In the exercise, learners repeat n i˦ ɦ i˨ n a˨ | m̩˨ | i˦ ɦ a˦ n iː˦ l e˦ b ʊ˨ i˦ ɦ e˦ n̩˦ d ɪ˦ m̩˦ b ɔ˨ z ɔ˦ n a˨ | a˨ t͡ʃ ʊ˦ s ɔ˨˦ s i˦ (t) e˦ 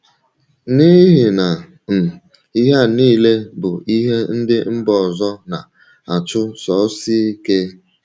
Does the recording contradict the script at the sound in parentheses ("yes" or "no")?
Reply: yes